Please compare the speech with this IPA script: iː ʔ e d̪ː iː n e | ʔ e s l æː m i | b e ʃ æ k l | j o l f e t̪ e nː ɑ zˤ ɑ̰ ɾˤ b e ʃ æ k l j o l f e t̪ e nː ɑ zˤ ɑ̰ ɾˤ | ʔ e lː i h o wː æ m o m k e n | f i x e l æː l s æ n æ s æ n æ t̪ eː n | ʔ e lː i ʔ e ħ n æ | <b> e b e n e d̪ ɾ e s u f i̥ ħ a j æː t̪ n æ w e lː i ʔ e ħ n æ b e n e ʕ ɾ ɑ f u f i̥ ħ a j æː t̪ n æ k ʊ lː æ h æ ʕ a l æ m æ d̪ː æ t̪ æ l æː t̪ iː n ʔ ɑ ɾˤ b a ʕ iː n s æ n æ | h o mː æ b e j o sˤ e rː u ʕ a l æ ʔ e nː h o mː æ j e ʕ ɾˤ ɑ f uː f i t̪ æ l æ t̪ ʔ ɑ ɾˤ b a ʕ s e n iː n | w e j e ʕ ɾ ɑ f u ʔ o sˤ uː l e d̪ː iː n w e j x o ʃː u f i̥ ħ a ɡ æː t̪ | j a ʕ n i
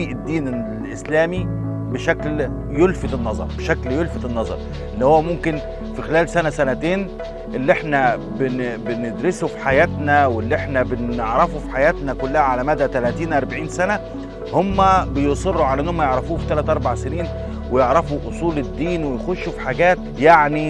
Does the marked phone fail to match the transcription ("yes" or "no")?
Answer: no